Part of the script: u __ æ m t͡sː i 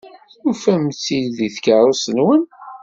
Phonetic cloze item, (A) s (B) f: B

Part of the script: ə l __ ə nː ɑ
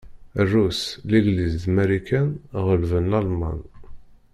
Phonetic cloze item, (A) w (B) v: B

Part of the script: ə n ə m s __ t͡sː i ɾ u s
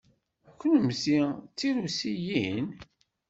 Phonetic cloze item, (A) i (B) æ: A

